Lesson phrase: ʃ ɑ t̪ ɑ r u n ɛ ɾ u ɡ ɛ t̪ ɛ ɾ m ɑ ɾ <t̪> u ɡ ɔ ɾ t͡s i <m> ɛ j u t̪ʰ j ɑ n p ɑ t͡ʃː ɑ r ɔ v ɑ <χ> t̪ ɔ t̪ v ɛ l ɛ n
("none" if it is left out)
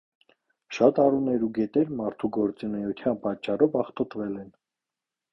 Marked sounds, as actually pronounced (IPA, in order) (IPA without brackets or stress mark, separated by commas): t̪ʰ, n, χ